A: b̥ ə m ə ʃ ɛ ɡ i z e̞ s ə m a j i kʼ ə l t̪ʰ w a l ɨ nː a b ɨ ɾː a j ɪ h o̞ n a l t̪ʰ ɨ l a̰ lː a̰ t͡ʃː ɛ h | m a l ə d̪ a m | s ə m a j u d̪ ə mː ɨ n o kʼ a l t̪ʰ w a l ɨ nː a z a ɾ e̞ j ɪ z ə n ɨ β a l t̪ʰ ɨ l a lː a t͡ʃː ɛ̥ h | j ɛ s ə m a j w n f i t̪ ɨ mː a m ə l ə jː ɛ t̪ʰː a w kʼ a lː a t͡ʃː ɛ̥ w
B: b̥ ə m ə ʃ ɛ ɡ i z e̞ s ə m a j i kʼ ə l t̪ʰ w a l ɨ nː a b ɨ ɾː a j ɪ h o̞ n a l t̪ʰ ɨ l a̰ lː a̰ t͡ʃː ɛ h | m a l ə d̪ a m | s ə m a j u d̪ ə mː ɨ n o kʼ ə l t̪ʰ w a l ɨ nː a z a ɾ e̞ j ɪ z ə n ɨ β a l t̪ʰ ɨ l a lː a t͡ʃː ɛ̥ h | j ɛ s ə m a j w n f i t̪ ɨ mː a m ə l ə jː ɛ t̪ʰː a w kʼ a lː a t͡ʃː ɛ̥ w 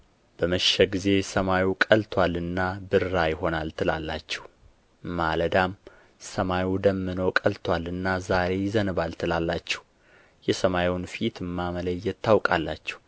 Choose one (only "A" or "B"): B